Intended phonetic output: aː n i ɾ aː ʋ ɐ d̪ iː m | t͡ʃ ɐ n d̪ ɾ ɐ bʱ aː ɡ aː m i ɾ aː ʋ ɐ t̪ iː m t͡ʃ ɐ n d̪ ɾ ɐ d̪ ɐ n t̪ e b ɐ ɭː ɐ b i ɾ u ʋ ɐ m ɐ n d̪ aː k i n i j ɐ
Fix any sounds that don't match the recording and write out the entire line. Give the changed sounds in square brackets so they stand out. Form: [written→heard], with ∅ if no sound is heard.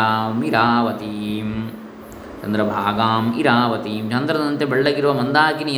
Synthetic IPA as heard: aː [n→m] i ɾ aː ʋ ɐ [d̪→t̪] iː m | t͡ʃ ɐ n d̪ ɾ ɐ bʱ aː ɡ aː m i ɾ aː ʋ ɐ t̪ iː m t͡ʃ ɐ n d̪ ɾ ɐ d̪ ɐ n t̪ e b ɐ ɭː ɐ [b→ɡ] i ɾ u ʋ ɐ m ɐ n d̪ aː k i n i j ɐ